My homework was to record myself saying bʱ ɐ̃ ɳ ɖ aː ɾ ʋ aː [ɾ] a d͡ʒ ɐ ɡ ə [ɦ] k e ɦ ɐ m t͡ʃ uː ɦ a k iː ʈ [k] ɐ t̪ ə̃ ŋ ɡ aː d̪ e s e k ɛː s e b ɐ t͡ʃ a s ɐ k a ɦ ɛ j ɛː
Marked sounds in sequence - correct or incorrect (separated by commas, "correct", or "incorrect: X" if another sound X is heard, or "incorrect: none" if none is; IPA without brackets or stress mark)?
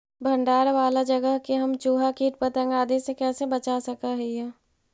incorrect: l, correct, incorrect: p